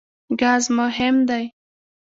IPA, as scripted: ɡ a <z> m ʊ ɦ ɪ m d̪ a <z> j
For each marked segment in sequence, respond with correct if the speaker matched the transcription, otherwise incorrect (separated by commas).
correct, incorrect